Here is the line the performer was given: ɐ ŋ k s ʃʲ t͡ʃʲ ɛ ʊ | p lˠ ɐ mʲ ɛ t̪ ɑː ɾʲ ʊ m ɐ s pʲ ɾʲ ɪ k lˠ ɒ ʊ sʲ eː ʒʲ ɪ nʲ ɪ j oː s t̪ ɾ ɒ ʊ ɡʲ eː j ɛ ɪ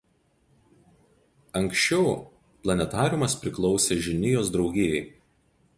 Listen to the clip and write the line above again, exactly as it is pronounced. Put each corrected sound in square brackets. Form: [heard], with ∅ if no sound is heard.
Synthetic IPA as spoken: ɐ ŋ k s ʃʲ t͡ʃʲ ɛ ʊ | p lˠ ɐ [nʲ] ɛ t̪ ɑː ɾʲ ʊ m ɐ s pʲ ɾʲ ɪ k lˠ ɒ ʊ sʲ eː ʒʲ ɪ nʲ ɪ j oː s [d̪] ɾ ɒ ʊ ɡʲ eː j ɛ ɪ

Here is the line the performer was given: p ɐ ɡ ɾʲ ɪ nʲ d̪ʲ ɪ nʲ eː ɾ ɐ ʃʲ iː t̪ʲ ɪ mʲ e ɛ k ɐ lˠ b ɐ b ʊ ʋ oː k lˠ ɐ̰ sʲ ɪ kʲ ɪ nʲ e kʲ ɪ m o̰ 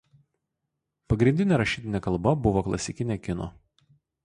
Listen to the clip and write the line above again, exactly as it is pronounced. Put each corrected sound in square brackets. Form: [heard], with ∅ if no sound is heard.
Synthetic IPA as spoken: p ɐ ɡ ɾʲ ɪ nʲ d̪ʲ ɪ nʲ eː ɾ ɐ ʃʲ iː t̪ʲ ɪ [nʲ] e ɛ k ɐ lˠ b ɐ b ʊ ʋ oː k lˠ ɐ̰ sʲ ɪ kʲ ɪ nʲ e kʲ ɪ [n] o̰

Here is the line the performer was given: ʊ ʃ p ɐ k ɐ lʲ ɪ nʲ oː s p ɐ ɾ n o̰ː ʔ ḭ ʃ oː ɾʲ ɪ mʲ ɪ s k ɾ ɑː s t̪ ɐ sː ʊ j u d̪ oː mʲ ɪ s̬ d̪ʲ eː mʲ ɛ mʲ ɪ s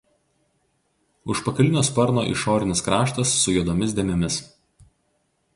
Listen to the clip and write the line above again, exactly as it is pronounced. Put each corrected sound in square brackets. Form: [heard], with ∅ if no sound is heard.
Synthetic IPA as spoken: ʊ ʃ p ɐ k ɐ lʲ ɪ nʲ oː s p ɐ ɾ n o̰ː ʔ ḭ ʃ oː ɾʲ ɪ [nʲ] ɪ s k ɾ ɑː [ʃ] t̪ ɐ sː ʊ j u d̪ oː mʲ ɪ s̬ d̪ʲ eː mʲ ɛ mʲ ɪ s

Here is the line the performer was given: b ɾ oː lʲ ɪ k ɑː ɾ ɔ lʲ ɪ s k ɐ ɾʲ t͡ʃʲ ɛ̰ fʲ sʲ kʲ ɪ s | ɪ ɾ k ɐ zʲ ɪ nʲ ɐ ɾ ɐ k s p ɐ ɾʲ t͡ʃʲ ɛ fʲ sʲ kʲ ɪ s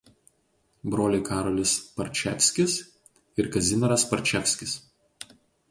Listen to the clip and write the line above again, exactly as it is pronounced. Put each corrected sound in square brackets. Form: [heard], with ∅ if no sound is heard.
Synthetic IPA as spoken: b ɾ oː lʲ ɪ k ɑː ɾ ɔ lʲ ɪ s [p] ɐ ɾʲ t͡ʃʲ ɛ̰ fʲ sʲ kʲ ɪ s | ɪ ɾ k ɐ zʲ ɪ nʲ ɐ ɾ ɐ [∅] s p ɐ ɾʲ t͡ʃʲ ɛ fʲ sʲ kʲ ɪ s

